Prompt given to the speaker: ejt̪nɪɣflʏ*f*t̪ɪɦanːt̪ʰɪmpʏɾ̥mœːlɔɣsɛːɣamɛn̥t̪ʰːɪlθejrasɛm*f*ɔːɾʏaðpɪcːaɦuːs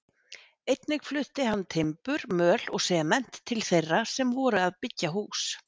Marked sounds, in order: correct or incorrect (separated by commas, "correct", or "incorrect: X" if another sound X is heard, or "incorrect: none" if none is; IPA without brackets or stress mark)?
incorrect: h, incorrect: v